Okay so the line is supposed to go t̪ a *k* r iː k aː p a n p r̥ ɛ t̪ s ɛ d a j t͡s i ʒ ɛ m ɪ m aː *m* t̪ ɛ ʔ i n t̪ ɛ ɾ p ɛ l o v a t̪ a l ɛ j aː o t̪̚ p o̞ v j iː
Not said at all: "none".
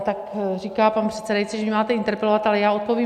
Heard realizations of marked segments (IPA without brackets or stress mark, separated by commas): k, none